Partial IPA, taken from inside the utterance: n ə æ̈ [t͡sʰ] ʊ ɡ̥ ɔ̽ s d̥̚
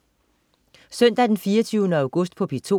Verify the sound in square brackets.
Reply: incorrect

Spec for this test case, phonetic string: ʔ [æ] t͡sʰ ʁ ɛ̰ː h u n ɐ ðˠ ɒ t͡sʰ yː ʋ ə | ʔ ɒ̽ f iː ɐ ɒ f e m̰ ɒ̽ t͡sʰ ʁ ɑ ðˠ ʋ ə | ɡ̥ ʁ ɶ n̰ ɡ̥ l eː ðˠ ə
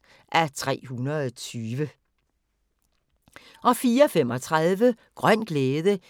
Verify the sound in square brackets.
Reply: correct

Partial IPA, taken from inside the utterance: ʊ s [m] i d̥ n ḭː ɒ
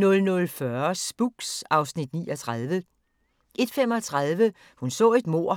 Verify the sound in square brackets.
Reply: incorrect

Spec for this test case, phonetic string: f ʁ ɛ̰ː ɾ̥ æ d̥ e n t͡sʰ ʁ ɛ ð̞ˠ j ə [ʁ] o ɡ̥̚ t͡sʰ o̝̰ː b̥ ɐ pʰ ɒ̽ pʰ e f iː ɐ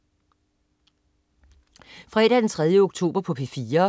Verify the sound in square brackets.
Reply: incorrect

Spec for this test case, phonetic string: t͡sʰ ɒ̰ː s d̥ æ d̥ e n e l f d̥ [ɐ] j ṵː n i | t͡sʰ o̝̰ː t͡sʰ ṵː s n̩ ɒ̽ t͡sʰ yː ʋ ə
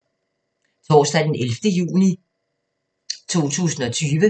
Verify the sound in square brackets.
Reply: incorrect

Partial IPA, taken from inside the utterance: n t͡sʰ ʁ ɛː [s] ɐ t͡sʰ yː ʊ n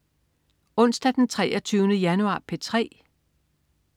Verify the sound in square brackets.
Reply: incorrect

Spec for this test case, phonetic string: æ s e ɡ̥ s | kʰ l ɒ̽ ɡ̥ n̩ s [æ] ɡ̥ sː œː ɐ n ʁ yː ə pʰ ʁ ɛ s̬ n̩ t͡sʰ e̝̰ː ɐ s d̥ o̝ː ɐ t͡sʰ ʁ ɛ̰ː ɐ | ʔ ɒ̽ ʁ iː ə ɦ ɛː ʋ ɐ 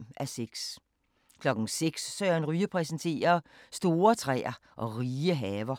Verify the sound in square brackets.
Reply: incorrect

